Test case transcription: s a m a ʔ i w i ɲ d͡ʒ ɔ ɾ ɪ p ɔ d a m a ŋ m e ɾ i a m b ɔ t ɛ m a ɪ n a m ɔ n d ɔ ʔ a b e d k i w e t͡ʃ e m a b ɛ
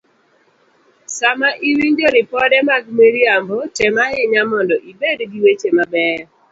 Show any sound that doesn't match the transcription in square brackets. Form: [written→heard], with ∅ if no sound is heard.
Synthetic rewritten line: s a m a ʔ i w i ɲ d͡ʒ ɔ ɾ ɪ p ɔ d [a→ɛ] m a [ŋ→ɡ] m e ɾ i a m b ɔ t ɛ m a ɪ [n→ɲ] a m ɔ n d ɔ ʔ [a→i] b e d [k→ɡ] i w e t͡ʃ e m a b ɛ